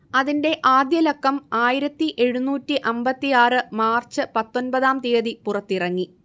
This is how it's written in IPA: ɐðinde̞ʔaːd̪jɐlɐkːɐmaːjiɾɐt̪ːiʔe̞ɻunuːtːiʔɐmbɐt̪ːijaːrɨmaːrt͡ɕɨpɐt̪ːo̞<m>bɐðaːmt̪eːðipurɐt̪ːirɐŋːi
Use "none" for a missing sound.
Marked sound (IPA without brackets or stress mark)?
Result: n